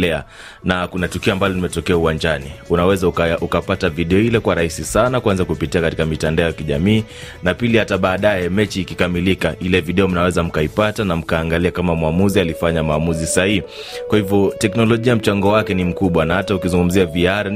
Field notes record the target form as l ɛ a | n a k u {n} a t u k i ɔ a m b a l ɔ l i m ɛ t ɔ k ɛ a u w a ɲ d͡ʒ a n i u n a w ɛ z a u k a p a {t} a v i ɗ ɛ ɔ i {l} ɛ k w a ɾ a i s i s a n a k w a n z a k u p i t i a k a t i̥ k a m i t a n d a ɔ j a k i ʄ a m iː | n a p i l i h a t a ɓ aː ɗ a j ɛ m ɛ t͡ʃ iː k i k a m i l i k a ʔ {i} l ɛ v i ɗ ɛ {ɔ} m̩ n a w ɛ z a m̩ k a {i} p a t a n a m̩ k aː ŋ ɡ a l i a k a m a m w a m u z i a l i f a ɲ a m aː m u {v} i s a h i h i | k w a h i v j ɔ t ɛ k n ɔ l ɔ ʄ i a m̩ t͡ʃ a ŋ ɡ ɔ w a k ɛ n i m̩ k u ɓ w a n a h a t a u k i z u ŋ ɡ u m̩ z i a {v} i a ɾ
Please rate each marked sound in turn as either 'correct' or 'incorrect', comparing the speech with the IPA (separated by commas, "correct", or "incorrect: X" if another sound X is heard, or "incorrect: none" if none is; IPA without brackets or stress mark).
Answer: correct, correct, correct, correct, correct, correct, incorrect: z, correct